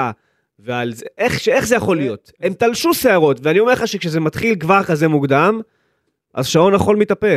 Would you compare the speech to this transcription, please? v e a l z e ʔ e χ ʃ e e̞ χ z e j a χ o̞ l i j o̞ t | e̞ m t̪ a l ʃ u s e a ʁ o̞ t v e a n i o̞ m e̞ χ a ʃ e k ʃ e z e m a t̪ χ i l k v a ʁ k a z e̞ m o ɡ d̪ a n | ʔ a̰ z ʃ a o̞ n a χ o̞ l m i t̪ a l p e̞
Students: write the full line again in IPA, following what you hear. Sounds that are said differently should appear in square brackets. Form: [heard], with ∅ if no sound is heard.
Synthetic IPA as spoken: v e a l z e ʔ e χ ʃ e e̞ χ z e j a χ o̞ l i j o̞ t | e̞ m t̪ a l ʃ u s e a ʁ o̞ t v e a n i o̞ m e̞ χ a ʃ e k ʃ e z e m a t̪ χ i l k v a ʁ k a z e̞ m [u] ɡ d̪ a [m] | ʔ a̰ z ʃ a o̞ n a χ o̞ l m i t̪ a [∅] p e̞